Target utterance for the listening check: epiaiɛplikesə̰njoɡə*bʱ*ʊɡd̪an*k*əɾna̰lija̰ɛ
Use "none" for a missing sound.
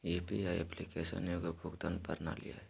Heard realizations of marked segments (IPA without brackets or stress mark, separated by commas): bʱ, p